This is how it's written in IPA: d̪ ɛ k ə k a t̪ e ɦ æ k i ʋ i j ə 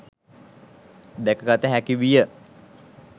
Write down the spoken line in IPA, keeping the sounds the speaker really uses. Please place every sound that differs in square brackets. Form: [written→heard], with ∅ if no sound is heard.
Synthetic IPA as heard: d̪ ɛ k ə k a t̪ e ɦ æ k i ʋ i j ə